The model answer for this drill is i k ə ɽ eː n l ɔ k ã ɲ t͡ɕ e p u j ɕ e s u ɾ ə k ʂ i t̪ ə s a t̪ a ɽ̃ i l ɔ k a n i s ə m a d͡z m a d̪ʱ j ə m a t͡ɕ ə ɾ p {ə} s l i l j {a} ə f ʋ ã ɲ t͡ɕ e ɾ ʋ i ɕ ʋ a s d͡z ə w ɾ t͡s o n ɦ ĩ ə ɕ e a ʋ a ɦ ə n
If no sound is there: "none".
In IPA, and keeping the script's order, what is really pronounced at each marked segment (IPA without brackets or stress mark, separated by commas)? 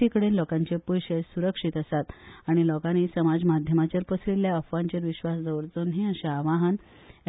ə, a